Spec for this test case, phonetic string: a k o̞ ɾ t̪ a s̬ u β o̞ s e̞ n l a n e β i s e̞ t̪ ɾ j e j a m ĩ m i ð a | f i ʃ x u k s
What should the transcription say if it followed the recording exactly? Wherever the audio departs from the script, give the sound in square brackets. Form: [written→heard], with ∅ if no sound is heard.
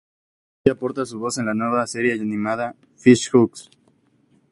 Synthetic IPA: a [k→p] o̞ ɾ t̪ a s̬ u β o̞ s e̞ n l a n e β [i→a] s e̞ [t̪→∅] ɾ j e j a [m→n] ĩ m [i→a] ð a | f i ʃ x u k s